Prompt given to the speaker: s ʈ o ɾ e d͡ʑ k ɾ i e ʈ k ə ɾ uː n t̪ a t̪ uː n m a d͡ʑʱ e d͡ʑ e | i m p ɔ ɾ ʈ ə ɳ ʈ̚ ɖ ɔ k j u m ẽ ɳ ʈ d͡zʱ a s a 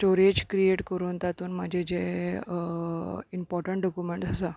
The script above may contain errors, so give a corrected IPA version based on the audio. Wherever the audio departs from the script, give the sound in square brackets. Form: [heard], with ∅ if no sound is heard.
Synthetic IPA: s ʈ o ɾ e d͡ʑ k ɾ i e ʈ k ə ɾ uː n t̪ a t̪ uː n m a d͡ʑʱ e d͡ʑ e | i m p ɔ ɾ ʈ ə ɳ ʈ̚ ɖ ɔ k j u m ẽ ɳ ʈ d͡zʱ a s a

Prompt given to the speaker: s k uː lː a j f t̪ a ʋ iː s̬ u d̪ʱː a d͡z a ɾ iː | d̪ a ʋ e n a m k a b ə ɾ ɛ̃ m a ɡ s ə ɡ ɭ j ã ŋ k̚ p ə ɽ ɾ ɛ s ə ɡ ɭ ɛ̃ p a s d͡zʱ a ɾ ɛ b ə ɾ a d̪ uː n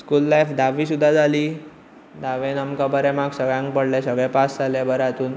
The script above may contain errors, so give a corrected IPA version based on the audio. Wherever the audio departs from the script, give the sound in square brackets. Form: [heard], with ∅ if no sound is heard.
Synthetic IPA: s k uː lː a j f [d̪] a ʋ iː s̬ u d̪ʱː a d͡z a [l] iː | d̪ a ʋ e n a m k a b ə ɾ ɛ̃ m a ɡ s ə ɡ ɭ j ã ŋ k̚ p ə ɽ [l] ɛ s ə ɡ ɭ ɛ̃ p a s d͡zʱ a [l] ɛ b ə ɾ a [t̪] uː n

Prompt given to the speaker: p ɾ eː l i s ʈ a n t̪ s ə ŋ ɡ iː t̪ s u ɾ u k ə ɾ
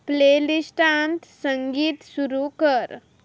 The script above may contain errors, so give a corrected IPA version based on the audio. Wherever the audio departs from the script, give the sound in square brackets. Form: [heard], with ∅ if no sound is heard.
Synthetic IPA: p [l] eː l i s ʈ a n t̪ s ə ŋ ɡ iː t̪ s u ɾ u k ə ɾ

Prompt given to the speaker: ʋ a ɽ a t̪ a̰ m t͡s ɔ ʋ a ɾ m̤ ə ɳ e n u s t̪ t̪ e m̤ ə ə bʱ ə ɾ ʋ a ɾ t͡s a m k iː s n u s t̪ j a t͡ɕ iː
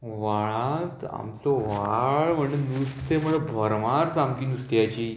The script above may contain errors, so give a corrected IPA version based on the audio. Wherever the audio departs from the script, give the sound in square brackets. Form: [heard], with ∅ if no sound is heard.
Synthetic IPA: ʋ a [ɭ] a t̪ a̰ m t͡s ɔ ʋ a [ɭ] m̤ ə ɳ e n u s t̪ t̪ e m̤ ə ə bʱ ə ɾ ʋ a ɾ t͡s a m k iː [∅] n u s t̪ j a t͡ɕ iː

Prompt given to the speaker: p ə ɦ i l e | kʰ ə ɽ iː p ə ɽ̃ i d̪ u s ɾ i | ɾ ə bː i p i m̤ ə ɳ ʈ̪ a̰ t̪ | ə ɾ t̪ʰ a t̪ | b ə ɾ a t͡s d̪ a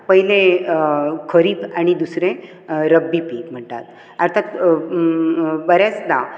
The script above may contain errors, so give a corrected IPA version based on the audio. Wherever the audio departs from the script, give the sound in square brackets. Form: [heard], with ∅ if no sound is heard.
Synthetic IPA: p ə ɦ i l e | kʰ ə [ɾ] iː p [a] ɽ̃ i d̪ u s ɾ [e] | ɾ ə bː i p i m̤ ə ɳ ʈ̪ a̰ t̪ | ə ɾ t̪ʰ a t̪ | b ə ɾ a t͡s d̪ a

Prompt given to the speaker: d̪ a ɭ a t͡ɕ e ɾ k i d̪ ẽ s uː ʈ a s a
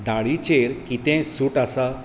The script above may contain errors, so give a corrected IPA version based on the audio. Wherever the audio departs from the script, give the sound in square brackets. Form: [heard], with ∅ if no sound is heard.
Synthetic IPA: d̪ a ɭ [i] t͡ɕ e ɾ k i [t̪] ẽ s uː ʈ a s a

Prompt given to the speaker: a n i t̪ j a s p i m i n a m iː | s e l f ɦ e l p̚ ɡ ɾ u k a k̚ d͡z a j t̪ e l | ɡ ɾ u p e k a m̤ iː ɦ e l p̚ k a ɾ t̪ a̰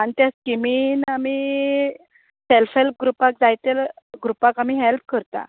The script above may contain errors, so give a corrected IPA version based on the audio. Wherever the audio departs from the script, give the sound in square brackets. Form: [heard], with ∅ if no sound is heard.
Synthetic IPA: a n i t̪ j a s [k] i m i n a m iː | s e l f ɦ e l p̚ ɡ ɾ u [p] a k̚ d͡z a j t̪ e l | ɡ ɾ u p [a] k a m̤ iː ɦ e l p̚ k [ə] ɾ t̪ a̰

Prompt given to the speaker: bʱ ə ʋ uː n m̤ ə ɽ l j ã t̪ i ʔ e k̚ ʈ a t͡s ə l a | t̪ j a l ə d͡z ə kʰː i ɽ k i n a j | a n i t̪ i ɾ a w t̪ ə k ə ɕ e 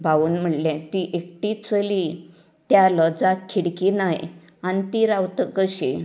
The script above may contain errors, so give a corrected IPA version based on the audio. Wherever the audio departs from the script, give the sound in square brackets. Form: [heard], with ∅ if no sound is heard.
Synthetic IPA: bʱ [a] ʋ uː n m̤ ə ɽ l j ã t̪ i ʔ e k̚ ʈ [i] t͡s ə l [i] | t̪ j a l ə d͡z [a] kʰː i ɽ k i n a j | a n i t̪ i ɾ a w t̪ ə k ə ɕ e

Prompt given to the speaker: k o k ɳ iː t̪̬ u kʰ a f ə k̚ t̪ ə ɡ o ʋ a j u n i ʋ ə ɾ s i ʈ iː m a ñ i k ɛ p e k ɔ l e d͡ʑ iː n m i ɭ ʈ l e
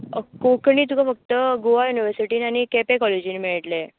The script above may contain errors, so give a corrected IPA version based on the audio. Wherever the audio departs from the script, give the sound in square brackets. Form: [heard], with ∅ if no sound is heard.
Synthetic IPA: k o k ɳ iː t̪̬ u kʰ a f ə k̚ t̪ ə ɡ o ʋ a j u n i ʋ ə ɾ s i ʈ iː [n] a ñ i k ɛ p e k ɔ l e d͡ʑ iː n m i ɭ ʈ l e

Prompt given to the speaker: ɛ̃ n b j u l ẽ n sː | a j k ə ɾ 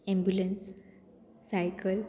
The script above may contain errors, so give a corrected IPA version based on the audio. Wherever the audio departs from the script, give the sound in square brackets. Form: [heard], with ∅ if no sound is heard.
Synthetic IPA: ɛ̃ [m] b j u l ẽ n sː | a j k ə [l]

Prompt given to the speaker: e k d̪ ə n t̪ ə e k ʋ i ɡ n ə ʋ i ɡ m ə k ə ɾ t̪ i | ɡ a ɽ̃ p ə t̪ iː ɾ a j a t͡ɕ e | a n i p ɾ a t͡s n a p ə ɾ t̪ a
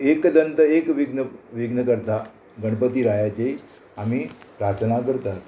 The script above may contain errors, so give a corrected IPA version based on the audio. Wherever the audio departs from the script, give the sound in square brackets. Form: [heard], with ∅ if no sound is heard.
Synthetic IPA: e k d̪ ə n t̪ ə e k ʋ i ɡ n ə ʋ i ɡ [n] ə k ə ɾ t̪ [a] | ɡ [ə] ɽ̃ p ə t̪ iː ɾ a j a t͡ɕ e | a [m] i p ɾ a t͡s n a [k] ə ɾ t̪ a

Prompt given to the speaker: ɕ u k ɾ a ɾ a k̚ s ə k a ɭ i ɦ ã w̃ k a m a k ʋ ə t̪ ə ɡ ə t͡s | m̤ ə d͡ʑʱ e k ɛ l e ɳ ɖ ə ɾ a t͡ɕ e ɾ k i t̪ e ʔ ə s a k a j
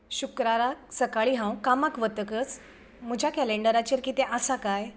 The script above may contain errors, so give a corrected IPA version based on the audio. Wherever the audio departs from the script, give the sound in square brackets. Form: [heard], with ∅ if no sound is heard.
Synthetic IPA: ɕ u k ɾ a ɾ a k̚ s ə k a ɭ i ɦ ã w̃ k a m a k ʋ ə t̪ ə [k] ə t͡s | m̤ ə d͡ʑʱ [a] k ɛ l e ɳ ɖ ə ɾ a t͡ɕ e ɾ k i t̪ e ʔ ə s a k a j

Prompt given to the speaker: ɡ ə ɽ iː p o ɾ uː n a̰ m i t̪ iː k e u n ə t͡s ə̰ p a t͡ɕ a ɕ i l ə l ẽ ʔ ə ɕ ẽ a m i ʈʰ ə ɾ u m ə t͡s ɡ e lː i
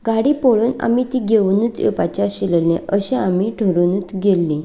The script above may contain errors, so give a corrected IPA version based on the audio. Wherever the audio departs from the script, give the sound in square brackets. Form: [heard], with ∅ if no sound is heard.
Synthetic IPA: ɡ [a] ɽ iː p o [ɭ] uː n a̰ m i t̪ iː [ɡ] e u n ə t͡s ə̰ p a t͡ɕ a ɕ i l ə l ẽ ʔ ə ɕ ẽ a m i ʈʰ ə ɾ u [n] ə t͡s ɡ e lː i

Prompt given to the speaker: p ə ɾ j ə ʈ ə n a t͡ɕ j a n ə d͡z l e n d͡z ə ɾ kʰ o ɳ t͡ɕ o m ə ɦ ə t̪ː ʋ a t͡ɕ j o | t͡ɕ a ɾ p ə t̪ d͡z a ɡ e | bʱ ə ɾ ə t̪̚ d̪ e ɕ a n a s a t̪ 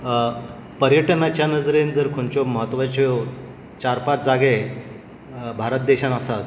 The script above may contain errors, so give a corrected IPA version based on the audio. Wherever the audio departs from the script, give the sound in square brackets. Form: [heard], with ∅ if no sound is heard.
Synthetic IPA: p ə ɾ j ə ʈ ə n a t͡ɕ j a n ə d͡z [ɾ] e n d͡z ə ɾ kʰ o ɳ t͡ɕ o m ə ɦ ə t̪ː ʋ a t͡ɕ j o | t͡ɕ a ɾ p [a] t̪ d͡z a ɡ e | bʱ [a] ɾ ə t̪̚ d̪ e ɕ a n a s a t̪

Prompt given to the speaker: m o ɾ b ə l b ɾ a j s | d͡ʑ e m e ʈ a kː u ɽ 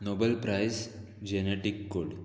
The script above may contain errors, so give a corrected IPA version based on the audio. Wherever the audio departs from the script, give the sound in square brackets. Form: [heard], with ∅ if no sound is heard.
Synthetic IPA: [n] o [∅] b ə l [p] ɾ a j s | d͡ʑ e [n] e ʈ [i] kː [o] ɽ

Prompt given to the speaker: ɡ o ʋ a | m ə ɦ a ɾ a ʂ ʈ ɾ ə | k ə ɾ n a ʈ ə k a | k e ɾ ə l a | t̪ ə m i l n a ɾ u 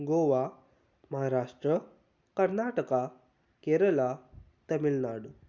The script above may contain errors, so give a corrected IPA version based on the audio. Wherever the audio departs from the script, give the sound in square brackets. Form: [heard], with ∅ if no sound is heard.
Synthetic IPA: ɡ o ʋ a | m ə ɦ a ɾ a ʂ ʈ ɾ ə | k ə ɾ n a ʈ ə k a | k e ɾ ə l a | t̪ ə m i l n a [ɽ] u

